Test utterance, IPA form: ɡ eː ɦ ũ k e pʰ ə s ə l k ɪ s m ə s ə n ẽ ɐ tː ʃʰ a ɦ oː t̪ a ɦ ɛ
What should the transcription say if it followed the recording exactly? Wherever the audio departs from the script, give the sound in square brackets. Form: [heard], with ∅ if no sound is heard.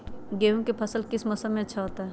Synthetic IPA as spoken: ɡ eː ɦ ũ k e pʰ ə s ə l k ɪ s m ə s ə [m] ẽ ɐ tː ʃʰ a ɦ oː t̪ a ɦ ɛ